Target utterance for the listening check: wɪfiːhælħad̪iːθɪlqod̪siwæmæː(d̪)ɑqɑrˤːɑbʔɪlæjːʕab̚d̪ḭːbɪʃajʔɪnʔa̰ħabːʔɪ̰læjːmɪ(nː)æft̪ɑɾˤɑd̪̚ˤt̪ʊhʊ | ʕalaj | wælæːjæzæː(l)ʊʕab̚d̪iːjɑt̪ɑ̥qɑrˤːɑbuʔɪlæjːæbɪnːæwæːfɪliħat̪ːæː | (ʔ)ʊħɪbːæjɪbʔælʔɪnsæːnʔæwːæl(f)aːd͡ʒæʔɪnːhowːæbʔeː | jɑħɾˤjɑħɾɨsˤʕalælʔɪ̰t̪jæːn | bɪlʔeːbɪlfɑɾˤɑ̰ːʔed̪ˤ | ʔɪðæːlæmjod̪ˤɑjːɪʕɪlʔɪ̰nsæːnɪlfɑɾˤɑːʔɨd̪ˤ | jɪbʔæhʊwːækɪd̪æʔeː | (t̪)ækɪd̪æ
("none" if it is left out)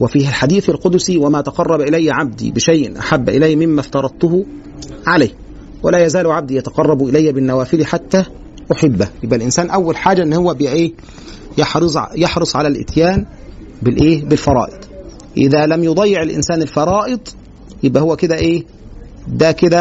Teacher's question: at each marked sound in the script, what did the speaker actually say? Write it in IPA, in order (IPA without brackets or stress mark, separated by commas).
t̪, mː, l, ʔ, ħ, d̪